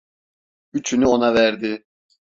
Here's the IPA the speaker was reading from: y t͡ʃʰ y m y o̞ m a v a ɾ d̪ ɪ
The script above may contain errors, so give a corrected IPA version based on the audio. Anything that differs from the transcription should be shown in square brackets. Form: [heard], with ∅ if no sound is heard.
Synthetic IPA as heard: y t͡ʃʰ y [n] y o̞ [n] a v [æ] ɾ d̪ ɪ